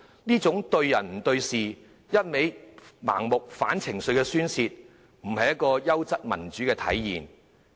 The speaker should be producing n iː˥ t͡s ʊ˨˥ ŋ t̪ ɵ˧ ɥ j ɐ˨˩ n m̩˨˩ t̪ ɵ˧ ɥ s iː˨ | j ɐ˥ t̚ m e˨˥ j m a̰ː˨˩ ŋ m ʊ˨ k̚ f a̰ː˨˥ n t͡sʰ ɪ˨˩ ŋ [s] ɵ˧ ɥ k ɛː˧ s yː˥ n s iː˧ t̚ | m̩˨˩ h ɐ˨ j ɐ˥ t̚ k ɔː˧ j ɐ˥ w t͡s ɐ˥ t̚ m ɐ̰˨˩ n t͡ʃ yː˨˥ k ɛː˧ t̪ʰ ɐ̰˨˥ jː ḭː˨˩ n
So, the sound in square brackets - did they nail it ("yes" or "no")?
yes